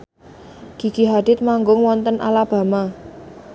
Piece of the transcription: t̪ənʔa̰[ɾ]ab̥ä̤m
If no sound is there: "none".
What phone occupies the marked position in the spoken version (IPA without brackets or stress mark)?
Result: l